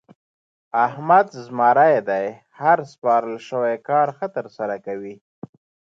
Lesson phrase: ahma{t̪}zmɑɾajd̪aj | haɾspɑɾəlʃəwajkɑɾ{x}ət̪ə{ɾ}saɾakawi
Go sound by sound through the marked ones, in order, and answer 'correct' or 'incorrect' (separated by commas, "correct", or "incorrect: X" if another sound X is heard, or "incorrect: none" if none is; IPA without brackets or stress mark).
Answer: incorrect: d̪, correct, correct